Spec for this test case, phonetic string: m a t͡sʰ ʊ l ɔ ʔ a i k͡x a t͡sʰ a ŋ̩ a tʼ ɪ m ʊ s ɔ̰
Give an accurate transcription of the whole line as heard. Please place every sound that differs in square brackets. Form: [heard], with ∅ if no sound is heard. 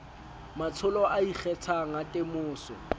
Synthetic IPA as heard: m a t͡sʰ ʊ l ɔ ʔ a i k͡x [ɛ] t͡sʰ a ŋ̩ a tʼ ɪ m [ʊː] s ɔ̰

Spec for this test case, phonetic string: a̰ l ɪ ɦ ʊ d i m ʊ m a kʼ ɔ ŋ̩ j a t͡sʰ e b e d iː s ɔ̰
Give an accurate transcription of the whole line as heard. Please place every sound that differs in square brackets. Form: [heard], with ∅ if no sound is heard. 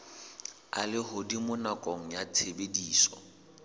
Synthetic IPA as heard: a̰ l ɪ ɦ ʊ d i m ʊ [n] a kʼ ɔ ŋ̩ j a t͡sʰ e b e d iː s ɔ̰

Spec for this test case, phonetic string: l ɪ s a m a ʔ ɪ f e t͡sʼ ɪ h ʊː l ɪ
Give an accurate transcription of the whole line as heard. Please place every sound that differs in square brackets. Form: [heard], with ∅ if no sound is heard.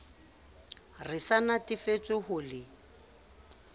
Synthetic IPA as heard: [r] ɪ s a [n] a [t] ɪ f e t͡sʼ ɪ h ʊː l ɪ

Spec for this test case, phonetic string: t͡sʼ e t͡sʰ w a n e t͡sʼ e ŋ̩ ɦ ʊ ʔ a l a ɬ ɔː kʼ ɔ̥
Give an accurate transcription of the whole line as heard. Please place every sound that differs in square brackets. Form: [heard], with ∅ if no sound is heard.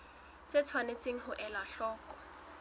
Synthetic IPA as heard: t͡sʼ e t͡sʰ w a n e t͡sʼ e ŋ̩ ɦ ʊ ʔ [ɛ] l a ɬ ɔː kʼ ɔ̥

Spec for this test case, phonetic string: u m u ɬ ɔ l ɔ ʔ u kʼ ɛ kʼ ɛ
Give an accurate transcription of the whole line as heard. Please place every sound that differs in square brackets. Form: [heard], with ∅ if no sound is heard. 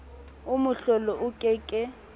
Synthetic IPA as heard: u m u ɬ ɔ l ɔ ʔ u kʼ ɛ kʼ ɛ

